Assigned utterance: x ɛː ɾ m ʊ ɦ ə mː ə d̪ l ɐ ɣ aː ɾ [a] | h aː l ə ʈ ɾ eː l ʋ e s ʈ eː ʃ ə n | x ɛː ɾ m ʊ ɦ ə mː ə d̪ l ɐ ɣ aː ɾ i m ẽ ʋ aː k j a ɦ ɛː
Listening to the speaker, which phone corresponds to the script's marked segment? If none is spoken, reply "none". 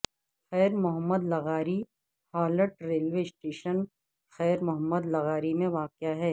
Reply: i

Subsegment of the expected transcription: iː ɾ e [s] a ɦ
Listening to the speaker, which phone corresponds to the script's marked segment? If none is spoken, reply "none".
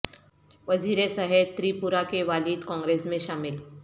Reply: s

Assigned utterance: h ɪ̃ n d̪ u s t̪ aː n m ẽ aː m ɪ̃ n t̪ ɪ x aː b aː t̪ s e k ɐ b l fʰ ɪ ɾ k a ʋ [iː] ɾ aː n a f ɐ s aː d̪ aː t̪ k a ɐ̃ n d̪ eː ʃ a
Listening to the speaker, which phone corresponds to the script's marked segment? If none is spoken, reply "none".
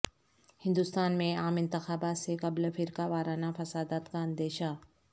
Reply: aː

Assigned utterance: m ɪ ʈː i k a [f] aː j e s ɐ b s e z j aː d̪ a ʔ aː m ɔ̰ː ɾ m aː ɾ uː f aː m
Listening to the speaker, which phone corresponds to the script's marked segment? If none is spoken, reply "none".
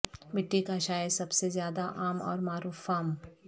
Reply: ʃ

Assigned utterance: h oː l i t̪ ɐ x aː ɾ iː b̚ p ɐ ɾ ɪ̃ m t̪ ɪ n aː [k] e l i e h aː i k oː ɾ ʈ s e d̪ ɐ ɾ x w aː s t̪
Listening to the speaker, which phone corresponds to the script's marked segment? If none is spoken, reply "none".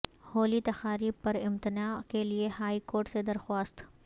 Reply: k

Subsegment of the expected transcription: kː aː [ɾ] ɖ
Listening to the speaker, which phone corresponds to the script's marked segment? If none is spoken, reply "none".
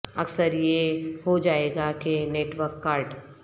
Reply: ɾ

